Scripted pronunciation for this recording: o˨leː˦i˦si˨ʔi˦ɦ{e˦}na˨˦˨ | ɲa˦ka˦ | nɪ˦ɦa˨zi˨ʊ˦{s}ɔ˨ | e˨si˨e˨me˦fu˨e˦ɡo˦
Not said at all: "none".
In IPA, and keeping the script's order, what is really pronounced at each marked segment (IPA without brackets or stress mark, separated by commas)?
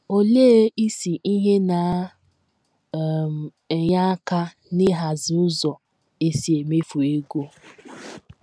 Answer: e˦, z